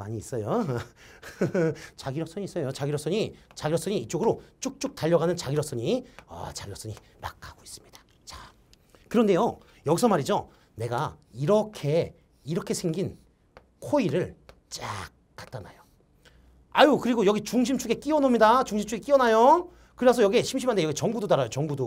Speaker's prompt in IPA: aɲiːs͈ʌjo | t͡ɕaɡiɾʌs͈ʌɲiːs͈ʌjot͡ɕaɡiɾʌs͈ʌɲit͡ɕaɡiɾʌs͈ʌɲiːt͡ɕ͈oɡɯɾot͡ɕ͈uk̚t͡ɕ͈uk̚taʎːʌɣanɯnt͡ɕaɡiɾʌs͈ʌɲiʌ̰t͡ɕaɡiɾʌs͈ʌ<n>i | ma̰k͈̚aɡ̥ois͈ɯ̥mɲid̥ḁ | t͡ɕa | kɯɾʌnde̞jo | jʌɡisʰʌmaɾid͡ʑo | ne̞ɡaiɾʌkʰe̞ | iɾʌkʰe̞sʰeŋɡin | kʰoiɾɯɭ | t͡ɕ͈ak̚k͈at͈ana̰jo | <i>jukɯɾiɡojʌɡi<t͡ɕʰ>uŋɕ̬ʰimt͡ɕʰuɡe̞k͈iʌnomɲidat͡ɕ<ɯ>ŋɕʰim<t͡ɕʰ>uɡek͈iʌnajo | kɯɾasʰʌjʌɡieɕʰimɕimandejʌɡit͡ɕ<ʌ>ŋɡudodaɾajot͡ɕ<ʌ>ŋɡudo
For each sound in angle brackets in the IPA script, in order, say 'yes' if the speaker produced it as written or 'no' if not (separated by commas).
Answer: no, no, no, no, yes, yes, yes